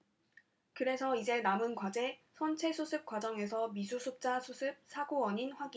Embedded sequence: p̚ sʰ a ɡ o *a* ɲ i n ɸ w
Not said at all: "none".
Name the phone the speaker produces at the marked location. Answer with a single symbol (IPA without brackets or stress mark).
ʌ